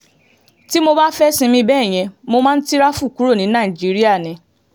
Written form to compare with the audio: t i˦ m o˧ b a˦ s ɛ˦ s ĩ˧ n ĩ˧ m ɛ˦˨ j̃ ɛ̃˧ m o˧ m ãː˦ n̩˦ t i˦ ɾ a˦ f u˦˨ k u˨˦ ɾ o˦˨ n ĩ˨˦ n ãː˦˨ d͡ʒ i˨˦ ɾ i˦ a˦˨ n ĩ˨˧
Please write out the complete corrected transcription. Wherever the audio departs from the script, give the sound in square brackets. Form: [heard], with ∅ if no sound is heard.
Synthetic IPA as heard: t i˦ m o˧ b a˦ [f] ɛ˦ s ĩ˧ [m] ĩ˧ [b] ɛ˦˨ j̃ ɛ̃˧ m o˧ m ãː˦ n̩˦ t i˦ ɾ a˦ f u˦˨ k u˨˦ ɾ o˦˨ n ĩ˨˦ n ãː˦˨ d͡ʒ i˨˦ ɾ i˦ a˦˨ n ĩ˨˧